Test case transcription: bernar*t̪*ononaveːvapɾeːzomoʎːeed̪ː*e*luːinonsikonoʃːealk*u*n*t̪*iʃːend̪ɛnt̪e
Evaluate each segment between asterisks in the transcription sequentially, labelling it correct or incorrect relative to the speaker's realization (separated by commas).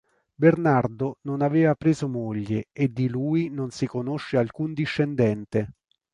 incorrect, incorrect, correct, incorrect